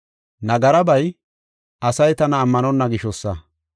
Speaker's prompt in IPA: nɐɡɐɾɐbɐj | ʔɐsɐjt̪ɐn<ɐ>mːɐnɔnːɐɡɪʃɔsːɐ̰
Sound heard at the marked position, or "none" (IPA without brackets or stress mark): ɐː